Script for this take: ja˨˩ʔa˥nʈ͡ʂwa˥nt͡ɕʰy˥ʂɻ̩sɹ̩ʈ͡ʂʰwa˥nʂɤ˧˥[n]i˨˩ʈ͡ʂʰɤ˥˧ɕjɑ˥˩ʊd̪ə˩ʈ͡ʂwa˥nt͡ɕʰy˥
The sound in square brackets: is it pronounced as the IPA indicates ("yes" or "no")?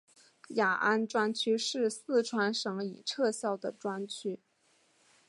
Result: no